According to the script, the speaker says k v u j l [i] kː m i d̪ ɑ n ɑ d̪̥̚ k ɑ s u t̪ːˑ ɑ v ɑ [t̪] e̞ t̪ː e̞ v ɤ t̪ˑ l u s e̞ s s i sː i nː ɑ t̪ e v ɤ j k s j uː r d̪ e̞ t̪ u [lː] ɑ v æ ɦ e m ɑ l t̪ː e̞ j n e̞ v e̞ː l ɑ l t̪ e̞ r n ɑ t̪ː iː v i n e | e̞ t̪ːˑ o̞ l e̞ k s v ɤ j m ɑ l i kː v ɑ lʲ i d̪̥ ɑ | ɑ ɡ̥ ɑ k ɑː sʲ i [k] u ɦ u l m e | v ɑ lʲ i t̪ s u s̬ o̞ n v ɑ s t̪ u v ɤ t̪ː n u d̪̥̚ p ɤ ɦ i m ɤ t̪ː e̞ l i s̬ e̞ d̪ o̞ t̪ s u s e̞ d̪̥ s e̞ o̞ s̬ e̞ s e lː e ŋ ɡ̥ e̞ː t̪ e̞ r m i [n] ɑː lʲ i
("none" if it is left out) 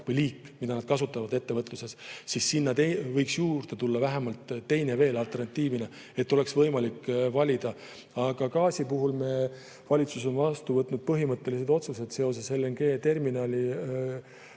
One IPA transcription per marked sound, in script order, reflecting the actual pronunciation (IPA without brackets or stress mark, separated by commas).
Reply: iː, d̪, lː, p, n